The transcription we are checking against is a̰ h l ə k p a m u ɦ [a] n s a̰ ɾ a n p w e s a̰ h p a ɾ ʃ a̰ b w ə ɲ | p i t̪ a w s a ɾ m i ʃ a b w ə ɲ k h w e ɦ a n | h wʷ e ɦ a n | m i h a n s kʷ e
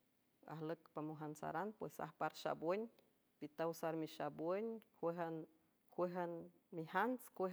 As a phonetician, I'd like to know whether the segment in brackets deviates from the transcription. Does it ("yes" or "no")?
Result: no